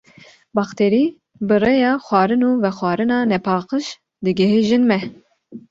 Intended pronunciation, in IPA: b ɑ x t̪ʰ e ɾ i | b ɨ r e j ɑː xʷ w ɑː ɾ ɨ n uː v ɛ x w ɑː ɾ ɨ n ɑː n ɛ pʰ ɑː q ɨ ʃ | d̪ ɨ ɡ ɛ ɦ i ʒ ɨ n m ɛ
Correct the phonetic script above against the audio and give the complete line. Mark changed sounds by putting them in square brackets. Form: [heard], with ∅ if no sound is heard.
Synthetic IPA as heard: b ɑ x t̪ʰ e ɾ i | b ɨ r e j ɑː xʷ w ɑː ɾ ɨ n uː v ɛ x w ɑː ɾ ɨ n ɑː n ɛ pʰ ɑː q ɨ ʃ | d̪ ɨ ɡ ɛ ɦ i ʒ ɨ n m ɛ